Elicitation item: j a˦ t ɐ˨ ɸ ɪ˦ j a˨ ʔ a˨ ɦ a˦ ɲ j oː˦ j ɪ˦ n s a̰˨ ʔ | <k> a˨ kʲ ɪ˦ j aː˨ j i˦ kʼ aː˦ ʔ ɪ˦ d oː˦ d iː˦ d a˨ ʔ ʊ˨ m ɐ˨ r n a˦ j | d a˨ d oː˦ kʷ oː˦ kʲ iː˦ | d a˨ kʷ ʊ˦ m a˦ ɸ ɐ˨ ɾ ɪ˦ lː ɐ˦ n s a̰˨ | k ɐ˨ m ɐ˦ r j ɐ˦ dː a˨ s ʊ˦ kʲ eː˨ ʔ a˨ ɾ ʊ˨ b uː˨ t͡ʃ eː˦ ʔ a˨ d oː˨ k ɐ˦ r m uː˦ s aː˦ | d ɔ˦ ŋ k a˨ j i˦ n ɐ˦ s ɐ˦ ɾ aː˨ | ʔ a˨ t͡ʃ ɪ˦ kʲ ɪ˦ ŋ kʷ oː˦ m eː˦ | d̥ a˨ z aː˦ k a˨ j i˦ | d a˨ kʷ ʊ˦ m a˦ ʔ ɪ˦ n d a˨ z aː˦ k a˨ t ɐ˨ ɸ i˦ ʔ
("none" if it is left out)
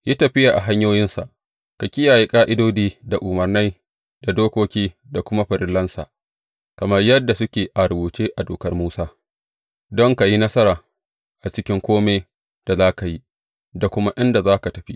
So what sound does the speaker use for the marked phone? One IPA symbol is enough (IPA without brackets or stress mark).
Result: k